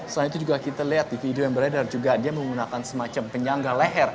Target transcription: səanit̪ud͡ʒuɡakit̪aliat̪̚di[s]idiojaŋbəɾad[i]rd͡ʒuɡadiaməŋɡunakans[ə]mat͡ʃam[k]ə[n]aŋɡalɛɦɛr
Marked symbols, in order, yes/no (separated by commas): no, no, yes, no, no